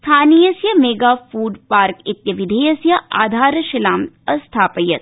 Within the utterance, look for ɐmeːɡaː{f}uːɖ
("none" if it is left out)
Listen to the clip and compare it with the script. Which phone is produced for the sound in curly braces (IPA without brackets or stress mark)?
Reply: f